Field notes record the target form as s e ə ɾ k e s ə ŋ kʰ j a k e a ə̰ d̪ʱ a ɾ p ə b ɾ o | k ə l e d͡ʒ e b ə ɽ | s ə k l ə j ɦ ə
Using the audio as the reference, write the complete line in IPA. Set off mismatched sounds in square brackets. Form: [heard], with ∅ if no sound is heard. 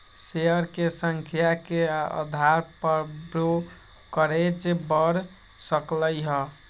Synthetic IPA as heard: s e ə ɾ k e s ə ŋ kʰ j a k e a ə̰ d̪ʱ a ɾ p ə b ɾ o | k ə [ɾ] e d͡ʒ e b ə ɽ | s ə k l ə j ɦ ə